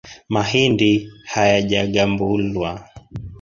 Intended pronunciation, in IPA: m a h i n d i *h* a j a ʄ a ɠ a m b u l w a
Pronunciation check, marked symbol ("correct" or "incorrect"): correct